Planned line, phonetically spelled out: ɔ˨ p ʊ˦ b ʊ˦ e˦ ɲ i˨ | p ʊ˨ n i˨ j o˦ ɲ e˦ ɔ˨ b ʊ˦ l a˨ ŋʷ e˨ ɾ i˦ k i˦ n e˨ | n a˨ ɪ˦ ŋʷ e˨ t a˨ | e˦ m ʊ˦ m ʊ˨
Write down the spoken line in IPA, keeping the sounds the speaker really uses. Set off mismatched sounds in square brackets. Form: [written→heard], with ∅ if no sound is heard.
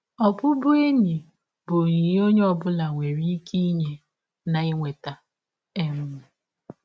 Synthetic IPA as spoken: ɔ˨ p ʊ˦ b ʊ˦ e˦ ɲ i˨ | [p→b] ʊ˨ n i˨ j o˦ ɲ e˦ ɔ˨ b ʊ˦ l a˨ ŋʷ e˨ ɾ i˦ k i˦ [n→ɲ] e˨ | n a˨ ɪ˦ ŋʷ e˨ t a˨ | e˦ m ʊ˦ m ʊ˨